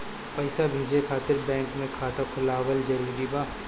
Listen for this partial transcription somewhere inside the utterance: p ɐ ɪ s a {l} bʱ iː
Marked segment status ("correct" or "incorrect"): incorrect